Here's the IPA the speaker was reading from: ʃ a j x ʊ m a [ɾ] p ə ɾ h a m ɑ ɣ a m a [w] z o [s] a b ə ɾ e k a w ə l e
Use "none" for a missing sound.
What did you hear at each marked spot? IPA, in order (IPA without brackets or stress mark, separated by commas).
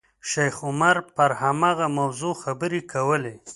ɾ, w, x